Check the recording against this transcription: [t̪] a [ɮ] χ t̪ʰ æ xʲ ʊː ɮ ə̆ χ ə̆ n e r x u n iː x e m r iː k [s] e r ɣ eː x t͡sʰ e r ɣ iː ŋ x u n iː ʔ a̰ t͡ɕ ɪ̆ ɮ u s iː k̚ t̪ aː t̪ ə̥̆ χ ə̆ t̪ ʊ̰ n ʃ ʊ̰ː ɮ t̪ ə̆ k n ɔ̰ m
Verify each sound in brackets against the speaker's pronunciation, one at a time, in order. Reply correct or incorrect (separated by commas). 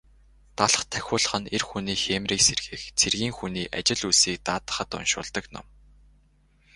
correct, correct, correct